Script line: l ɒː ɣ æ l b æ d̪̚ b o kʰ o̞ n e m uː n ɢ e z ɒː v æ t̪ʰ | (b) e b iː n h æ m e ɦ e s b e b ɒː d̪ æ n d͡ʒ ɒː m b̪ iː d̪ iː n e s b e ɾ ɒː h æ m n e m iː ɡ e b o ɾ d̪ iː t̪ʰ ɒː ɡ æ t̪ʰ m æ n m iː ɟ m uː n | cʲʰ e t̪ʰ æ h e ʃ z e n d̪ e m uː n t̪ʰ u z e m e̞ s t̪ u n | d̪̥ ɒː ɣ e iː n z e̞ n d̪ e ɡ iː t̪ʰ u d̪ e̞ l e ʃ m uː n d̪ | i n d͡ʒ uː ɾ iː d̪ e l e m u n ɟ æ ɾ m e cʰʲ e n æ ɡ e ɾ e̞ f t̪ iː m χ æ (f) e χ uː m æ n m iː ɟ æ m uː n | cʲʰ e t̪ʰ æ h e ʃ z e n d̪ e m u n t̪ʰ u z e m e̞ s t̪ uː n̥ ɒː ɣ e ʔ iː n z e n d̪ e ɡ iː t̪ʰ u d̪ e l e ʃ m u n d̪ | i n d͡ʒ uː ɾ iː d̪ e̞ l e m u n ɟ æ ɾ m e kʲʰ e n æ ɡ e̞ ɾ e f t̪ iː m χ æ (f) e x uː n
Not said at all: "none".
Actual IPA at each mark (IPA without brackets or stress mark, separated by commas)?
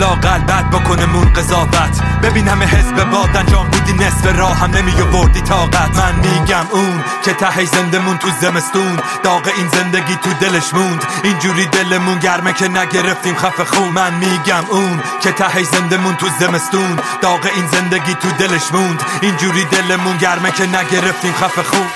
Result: b, f, f